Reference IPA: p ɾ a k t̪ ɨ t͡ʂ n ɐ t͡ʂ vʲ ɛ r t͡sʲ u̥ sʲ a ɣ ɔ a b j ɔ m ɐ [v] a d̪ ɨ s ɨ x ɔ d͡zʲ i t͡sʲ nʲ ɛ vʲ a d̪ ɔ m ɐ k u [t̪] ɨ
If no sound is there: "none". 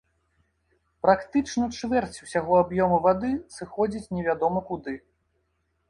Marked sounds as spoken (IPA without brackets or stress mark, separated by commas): v, d̪